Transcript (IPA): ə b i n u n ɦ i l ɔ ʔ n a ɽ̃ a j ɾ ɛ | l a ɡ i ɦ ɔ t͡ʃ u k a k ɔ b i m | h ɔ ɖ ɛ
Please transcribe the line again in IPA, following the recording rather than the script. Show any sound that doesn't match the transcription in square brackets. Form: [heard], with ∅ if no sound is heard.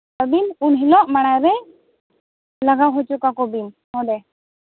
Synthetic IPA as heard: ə b i n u n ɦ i l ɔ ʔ [m] a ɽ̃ a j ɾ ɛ | l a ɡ [a] ɦ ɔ t͡ʃ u k a k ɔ b i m | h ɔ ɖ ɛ